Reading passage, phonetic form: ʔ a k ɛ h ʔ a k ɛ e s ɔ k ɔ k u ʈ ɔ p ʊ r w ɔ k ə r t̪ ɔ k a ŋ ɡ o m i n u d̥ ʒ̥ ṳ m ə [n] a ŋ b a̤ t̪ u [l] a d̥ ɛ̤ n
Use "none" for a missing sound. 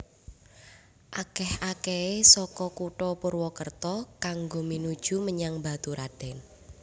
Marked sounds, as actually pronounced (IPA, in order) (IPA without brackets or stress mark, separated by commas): ɲ, ɾ